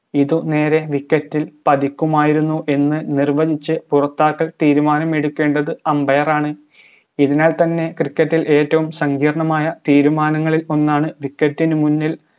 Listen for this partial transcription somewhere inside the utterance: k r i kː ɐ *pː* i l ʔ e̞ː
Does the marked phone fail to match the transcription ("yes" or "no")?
yes